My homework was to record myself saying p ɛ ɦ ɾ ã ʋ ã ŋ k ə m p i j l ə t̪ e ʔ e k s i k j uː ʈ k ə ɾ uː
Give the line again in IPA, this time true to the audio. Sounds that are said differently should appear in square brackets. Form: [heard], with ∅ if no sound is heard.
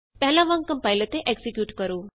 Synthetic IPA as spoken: p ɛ ɦ [l] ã ʋ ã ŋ k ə m p [a] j l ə t̪ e ʔ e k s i k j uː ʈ k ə ɾ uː